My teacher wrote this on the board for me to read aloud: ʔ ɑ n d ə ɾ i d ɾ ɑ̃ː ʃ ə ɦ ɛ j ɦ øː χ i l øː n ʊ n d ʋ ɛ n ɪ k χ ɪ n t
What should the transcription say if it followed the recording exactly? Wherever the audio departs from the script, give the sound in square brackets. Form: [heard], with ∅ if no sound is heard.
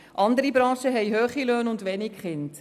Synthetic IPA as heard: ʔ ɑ n d ə ɾ i [b] ɾ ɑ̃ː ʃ ə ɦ ɛ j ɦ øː χ i l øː n ʊ n d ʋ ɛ n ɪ k χ ɪ n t